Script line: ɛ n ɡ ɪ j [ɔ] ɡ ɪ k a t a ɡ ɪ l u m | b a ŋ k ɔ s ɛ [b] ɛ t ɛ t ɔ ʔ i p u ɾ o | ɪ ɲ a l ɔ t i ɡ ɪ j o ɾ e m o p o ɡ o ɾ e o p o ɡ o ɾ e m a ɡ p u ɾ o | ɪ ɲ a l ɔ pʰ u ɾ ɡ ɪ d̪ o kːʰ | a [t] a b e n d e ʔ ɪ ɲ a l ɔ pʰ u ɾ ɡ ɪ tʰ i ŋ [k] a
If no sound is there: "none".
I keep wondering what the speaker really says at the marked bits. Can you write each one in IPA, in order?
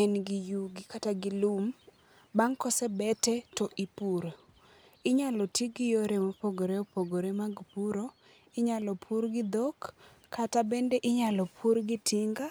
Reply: u, b, t, ɡ

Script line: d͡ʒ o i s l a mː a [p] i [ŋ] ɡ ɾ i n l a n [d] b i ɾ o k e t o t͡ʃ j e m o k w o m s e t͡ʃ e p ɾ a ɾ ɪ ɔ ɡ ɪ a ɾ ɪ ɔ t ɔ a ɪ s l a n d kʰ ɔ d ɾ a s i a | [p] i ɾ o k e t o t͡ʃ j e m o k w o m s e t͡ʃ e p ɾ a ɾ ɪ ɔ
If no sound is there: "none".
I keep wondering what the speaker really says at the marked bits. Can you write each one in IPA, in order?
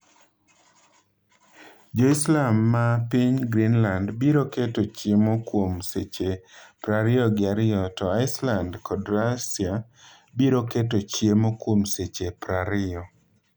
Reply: p, ɲ, d, b

